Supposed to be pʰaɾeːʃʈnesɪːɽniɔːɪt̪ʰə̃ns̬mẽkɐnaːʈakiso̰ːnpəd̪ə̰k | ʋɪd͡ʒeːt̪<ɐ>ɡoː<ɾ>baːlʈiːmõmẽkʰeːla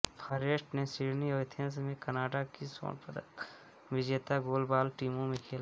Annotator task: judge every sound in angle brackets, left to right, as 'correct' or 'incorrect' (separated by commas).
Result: incorrect, incorrect